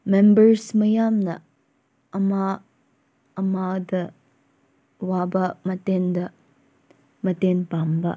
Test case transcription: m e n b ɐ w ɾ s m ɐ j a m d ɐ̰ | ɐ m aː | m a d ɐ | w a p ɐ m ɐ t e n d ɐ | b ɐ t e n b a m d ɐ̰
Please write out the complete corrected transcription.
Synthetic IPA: m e m b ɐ ɾ s m ɐ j a m n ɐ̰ | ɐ m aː | m a d ɐ | w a b ɐ m ɐ t e n d ɐ | m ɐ t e n p a m b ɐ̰